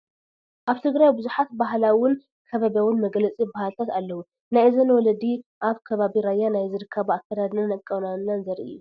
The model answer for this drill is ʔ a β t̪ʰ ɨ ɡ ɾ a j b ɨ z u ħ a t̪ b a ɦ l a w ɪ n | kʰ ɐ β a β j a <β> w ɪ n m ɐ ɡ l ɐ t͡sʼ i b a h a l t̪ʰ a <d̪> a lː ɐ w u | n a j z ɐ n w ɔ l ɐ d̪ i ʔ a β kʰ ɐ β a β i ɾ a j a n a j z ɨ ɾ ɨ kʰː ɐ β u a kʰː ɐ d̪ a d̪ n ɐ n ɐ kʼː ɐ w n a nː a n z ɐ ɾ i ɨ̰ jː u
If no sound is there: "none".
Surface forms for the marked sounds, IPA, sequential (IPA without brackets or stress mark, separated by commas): none, t̪